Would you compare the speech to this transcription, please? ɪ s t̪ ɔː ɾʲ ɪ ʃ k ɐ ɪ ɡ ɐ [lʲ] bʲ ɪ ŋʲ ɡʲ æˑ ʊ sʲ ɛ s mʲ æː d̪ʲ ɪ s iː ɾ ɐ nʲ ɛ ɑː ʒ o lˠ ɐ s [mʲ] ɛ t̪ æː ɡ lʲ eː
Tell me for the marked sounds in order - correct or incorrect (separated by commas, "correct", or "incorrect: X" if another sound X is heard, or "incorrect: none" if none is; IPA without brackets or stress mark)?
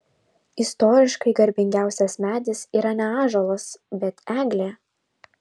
incorrect: ɾʲ, incorrect: bʲ